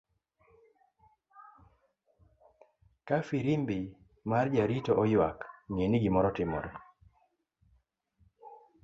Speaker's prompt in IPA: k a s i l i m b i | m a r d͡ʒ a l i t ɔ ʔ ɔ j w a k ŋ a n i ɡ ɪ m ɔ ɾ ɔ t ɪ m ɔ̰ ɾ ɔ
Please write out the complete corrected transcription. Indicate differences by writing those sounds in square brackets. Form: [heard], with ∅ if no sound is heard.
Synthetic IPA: k a [f] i [ɾ] i m b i | m a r d͡ʒ a [ɾ] i t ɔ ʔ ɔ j w a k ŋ [e] n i ɡ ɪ m ɔ ɾ ɔ t ɪ m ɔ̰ ɾ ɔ